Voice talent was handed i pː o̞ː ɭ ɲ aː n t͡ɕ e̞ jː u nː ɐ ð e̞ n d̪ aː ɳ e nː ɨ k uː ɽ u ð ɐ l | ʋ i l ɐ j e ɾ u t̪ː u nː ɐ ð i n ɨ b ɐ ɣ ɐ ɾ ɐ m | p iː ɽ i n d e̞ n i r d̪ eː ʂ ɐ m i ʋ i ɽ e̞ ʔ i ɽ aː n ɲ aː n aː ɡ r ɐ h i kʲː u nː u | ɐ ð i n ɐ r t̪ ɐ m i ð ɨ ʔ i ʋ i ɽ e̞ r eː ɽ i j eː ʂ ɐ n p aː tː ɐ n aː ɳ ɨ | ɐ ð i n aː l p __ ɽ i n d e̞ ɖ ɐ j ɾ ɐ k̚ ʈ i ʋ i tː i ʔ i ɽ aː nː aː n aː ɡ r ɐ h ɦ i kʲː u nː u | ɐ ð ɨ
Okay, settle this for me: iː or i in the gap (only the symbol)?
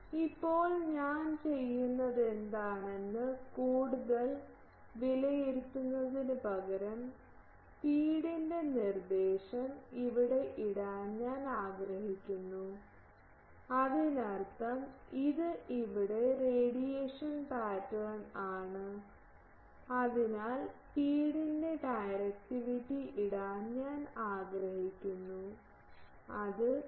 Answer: iː